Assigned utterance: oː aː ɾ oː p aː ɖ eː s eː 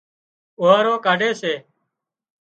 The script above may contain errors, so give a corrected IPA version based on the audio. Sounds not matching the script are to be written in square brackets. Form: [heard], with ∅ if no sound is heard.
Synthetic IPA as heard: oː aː ɾ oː [k] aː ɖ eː s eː